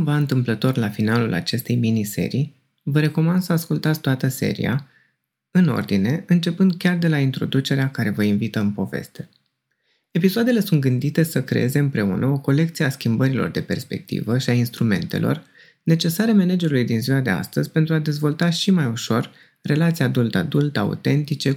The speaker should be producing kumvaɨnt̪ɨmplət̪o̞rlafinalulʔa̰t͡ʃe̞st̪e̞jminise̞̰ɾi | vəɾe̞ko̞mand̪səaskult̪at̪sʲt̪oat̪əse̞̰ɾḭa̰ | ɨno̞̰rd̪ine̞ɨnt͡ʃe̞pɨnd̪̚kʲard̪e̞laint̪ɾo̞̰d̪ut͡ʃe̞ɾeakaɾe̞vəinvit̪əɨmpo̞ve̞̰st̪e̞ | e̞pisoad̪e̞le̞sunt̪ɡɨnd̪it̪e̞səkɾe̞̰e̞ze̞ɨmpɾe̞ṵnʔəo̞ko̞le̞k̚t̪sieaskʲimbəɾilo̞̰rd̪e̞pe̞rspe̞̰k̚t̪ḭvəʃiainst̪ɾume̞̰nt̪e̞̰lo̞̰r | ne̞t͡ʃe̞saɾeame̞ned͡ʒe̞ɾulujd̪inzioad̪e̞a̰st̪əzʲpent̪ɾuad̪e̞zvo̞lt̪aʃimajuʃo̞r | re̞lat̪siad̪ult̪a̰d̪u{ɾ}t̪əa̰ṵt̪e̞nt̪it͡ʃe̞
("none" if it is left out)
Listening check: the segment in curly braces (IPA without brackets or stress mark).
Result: l